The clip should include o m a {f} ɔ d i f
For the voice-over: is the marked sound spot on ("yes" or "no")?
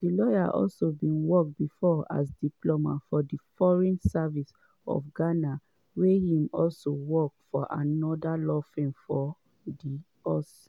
yes